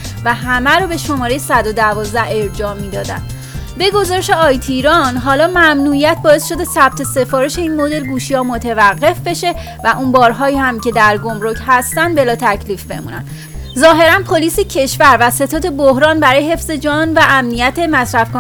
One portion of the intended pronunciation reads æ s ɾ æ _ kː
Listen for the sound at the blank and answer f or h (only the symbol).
f